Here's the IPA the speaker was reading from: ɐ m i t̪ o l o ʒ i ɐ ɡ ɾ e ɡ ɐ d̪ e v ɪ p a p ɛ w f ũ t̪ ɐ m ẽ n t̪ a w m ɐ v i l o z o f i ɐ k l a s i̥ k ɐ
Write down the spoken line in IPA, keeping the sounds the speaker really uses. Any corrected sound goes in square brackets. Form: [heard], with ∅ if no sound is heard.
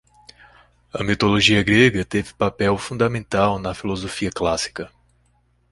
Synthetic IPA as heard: ɐ m i t̪ o l o ʒ i ɐ ɡ ɾ e ɡ ɐ [t̪] e v ɪ p a p ɛ w f ũ [d̪] ɐ m ẽ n t̪ a w [n] ɐ [f] i l o z o f i ɐ k l a s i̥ k ɐ